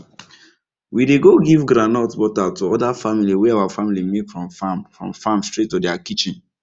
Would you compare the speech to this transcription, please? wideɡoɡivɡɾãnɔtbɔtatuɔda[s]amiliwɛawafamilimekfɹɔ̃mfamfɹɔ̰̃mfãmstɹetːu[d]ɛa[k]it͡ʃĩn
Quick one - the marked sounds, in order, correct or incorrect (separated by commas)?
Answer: incorrect, correct, correct